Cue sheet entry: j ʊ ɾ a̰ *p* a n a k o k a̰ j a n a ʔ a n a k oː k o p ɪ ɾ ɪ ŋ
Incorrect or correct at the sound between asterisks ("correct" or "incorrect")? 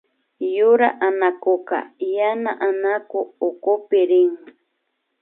incorrect